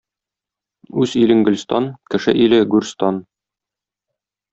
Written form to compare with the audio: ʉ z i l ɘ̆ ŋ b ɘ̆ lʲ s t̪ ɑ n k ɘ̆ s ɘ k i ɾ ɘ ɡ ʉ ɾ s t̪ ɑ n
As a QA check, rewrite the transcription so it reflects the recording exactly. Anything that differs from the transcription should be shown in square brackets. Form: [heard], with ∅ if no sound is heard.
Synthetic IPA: ʉ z i l ɘ̆ ŋ [ɡ] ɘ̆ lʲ s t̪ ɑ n k ɘ̆ [ʃ] ɘ [ʔ] i [l] ɘ ɡ ʉ ɾ s t̪ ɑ n